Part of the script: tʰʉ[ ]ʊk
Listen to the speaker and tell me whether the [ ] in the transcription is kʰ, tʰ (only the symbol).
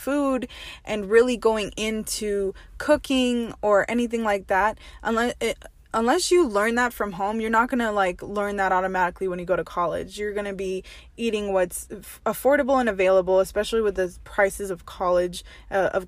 kʰ